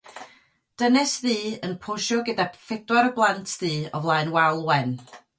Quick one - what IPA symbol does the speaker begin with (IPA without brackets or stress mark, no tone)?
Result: d̥